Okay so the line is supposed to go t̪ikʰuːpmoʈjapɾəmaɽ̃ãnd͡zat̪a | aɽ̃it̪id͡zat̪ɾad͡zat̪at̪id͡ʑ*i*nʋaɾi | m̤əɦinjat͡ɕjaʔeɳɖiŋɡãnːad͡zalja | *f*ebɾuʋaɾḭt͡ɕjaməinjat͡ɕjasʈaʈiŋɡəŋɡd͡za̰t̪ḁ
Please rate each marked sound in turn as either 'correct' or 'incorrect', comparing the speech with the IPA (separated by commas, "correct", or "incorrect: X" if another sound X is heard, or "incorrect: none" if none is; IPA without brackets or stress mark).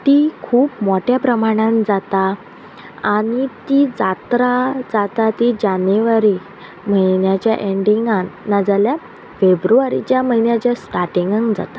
incorrect: a, correct